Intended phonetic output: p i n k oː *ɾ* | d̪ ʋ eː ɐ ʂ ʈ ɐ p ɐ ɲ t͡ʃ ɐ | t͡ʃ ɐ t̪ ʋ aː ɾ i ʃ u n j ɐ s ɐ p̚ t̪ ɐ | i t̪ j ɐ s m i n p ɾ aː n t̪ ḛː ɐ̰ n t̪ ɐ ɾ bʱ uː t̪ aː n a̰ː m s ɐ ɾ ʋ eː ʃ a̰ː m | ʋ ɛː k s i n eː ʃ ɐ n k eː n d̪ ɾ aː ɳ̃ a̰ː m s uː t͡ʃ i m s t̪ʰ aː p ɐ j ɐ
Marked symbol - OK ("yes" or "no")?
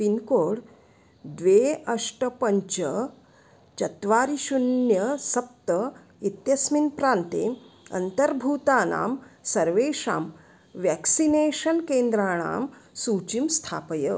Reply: no